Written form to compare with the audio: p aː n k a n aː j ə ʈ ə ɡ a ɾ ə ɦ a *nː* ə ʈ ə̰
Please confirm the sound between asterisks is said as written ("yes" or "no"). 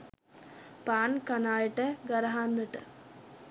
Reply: yes